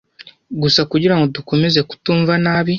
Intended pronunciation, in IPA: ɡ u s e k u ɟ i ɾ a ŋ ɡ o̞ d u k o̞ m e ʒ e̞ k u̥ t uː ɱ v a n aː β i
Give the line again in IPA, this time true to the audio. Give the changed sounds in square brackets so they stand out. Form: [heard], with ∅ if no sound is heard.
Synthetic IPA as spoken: ɡ u s [a] k u ɟ i ɾ a ŋ ɡ o̞ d u k o̞ m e [z] e̞ k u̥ t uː ɱ v a n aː β i